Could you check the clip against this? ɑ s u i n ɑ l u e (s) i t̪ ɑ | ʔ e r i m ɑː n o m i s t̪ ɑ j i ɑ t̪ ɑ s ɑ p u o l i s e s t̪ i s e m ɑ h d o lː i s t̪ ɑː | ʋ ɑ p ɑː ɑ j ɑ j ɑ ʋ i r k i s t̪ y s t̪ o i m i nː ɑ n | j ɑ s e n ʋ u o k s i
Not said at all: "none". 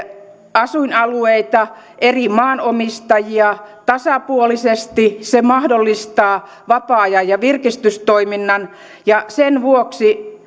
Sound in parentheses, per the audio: none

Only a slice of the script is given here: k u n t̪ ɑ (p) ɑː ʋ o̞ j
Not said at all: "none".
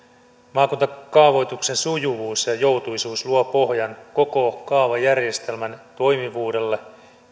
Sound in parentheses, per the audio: k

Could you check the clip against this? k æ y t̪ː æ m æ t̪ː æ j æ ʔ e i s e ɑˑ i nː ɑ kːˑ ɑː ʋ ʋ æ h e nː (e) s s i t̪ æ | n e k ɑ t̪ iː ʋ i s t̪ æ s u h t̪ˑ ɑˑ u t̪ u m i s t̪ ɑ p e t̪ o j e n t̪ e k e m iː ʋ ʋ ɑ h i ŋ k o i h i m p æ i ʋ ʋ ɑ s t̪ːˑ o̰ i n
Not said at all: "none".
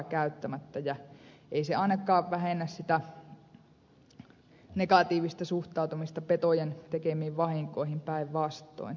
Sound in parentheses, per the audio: æ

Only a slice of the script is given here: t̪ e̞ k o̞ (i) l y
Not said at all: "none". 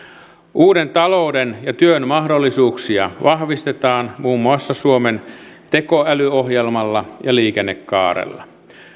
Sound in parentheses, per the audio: æ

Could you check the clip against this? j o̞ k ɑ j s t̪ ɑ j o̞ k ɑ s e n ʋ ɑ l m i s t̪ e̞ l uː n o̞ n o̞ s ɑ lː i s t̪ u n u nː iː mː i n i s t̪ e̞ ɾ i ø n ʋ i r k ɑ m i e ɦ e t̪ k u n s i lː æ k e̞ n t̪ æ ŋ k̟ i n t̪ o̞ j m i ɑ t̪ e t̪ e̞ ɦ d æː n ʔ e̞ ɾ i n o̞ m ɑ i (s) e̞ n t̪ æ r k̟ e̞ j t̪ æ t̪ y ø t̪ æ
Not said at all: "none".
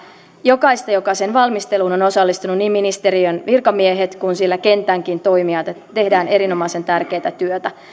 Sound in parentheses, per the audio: s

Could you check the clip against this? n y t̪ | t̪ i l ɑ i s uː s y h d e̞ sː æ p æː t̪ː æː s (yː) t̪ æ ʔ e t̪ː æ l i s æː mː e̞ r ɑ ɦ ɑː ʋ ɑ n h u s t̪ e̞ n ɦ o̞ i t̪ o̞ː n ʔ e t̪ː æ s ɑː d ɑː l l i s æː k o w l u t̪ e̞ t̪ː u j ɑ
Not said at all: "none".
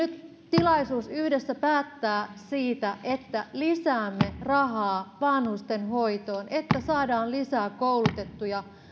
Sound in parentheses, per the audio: iː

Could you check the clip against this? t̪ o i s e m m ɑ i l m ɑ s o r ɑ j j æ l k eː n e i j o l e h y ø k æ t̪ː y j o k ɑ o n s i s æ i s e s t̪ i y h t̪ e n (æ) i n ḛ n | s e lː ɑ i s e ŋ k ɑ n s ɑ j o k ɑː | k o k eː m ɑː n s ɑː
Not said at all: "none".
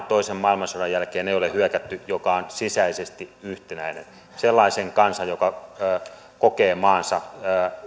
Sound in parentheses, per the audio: æ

